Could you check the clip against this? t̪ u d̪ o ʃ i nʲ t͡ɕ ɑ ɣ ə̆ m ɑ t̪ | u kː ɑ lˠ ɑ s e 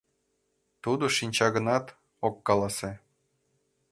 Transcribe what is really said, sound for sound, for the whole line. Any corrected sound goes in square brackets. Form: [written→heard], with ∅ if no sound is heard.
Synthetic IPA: t̪ u d̪ o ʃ i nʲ t͡ɕ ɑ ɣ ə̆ [m→n] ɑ t̪ | [u→o] kː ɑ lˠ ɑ s e